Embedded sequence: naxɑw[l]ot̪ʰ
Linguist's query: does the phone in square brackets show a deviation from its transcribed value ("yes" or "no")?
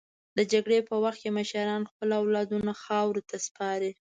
yes